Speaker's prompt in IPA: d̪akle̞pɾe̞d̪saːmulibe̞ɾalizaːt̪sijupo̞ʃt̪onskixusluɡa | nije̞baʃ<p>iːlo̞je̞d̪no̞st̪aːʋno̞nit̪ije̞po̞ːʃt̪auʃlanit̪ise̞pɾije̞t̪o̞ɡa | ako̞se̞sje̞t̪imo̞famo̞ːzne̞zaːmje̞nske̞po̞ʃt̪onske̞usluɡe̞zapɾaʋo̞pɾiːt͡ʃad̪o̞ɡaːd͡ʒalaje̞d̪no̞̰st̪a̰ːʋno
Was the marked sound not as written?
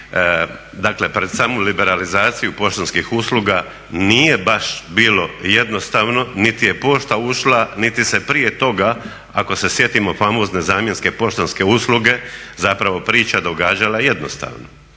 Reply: yes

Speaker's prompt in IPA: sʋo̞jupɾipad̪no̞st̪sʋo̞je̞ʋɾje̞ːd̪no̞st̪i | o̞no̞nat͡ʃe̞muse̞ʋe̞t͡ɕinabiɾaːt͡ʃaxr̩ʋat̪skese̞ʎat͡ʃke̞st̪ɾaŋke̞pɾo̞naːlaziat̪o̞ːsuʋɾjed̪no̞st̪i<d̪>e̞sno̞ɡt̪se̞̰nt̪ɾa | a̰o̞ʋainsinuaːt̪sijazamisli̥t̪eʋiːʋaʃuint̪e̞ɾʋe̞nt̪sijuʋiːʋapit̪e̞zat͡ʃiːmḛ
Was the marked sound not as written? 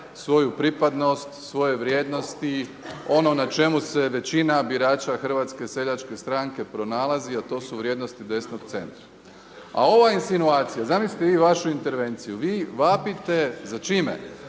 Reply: no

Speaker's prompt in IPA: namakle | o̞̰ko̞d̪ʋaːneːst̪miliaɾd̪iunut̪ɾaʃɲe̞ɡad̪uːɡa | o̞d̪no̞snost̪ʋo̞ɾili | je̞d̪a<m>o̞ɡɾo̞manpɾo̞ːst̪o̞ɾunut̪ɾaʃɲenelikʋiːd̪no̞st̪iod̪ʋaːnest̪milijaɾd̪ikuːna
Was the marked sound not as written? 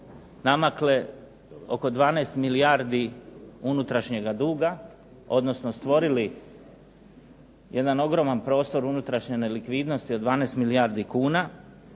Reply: yes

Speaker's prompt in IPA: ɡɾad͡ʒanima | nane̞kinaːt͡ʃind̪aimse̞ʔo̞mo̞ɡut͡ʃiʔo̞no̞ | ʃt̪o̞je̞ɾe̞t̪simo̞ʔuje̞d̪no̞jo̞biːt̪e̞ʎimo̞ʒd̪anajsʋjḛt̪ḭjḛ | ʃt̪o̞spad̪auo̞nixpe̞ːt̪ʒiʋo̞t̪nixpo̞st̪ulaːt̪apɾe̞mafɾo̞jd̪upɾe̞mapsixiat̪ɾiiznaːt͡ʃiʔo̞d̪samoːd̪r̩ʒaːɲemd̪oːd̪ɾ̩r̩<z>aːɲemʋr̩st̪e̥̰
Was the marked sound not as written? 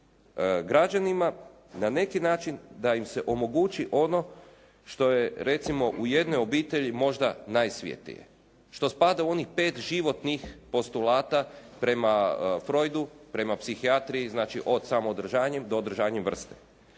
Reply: yes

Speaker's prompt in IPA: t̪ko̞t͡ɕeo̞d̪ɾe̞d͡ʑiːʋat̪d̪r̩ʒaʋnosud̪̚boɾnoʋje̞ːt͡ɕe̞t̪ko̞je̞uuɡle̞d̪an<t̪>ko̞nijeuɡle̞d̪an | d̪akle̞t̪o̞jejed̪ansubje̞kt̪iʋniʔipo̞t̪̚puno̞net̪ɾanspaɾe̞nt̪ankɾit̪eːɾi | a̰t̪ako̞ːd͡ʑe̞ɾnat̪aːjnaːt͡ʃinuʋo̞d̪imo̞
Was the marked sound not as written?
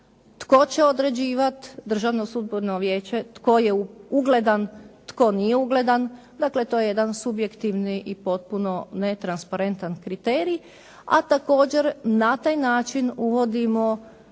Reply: no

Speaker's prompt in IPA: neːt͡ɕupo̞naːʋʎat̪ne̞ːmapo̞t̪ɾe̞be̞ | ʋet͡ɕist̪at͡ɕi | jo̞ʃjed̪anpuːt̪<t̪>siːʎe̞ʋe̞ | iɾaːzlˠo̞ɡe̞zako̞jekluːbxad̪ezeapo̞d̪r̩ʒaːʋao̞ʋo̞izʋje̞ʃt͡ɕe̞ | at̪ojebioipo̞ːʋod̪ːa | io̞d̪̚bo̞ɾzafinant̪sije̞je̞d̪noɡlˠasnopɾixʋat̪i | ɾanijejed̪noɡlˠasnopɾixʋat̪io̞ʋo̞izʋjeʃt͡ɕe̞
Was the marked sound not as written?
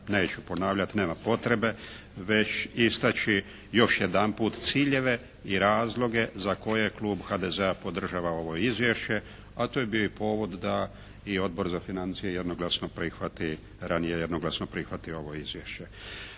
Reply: no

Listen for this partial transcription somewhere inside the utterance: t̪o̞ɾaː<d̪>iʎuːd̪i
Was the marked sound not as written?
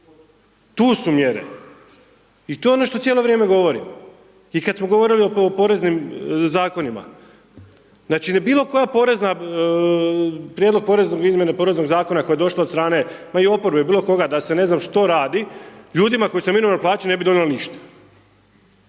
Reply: no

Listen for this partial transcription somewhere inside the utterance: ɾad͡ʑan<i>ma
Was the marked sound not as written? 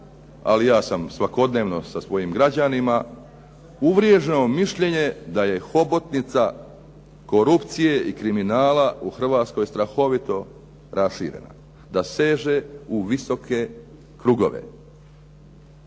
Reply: no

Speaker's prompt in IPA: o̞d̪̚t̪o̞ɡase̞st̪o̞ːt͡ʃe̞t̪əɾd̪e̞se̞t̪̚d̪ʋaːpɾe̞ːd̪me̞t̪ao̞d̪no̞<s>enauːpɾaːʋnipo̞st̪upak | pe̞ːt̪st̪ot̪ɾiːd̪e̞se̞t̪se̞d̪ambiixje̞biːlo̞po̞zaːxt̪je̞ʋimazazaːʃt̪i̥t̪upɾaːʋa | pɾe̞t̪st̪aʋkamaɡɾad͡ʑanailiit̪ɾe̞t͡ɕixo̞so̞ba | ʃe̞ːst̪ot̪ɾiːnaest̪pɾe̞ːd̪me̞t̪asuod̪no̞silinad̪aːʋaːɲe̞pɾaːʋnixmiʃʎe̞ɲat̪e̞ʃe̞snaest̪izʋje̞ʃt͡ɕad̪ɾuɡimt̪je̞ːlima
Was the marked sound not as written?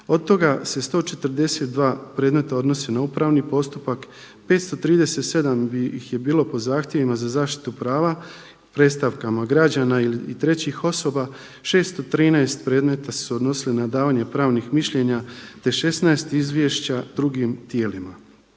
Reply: no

